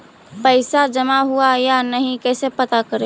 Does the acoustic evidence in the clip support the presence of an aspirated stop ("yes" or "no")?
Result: no